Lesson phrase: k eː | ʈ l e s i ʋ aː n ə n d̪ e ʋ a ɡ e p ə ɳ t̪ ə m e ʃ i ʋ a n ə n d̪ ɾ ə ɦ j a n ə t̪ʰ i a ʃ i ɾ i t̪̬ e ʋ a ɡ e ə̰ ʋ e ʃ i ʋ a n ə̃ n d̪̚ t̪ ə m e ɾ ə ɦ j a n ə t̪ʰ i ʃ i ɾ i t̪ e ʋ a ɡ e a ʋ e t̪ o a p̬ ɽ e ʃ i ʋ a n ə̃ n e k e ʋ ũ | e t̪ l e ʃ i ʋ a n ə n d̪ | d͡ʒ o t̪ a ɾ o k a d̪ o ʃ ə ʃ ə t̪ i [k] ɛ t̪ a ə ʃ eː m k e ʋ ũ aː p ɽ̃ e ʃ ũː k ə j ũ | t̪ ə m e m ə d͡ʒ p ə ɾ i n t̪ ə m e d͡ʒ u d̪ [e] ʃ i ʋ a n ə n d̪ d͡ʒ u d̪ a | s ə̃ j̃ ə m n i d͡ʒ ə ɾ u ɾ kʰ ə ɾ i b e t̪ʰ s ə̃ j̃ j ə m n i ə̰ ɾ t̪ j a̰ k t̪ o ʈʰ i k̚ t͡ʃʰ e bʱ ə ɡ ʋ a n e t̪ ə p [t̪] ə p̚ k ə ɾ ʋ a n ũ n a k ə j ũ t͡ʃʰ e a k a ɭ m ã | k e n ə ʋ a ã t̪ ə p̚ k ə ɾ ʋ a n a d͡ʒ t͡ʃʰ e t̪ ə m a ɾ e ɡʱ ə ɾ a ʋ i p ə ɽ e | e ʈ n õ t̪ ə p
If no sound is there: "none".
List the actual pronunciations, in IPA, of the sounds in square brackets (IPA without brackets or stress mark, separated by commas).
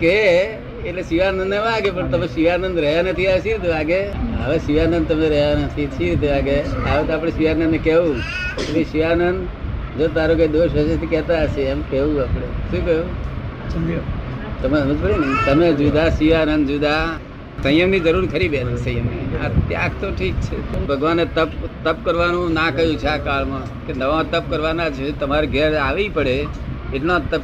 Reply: k, a, t̪